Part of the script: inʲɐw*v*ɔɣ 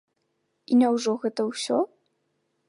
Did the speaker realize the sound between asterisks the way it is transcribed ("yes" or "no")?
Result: no